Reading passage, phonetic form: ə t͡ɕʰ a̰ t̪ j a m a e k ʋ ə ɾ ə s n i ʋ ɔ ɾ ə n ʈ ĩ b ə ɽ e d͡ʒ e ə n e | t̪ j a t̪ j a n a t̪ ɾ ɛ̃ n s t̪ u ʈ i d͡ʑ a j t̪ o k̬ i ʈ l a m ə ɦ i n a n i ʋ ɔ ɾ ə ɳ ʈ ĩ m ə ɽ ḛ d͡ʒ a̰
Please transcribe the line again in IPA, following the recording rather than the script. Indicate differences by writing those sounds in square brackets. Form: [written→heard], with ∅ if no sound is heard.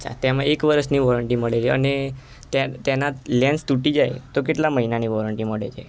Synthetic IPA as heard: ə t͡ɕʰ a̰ t̪ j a m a e k ʋ ə ɾ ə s n i ʋ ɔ ɾ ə [n→ɳ] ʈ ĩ [b→m] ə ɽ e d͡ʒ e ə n e | t̪ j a t̪ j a n a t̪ [ɾ→l] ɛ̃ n s t̪ u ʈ i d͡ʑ a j t̪ o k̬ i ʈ l a m ə ɦ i n a n i ʋ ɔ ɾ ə ɳ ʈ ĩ m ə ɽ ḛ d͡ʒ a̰